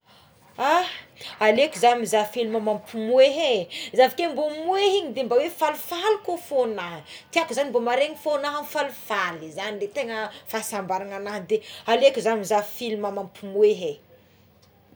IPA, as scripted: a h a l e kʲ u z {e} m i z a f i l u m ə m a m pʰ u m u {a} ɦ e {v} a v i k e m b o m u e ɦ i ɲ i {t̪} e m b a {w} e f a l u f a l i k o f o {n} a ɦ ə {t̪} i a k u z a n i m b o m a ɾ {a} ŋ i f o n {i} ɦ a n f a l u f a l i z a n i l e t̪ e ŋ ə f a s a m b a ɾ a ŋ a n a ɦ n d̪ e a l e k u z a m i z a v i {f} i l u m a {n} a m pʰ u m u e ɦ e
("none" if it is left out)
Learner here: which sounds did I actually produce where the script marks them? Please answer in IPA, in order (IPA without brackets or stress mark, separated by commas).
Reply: a, e, z, d̪, w, n, t̪, e, a, f, m